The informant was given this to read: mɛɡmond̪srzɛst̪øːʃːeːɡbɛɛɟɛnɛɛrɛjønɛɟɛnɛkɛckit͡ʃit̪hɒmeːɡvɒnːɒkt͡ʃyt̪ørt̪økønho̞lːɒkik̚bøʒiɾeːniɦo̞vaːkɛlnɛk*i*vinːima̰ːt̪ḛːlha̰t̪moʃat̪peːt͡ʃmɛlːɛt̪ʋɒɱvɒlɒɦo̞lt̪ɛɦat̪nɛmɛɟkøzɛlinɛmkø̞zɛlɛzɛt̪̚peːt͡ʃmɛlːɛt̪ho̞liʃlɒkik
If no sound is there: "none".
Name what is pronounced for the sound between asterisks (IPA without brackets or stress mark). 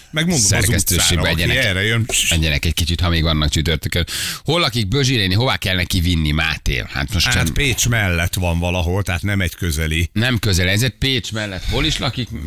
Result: i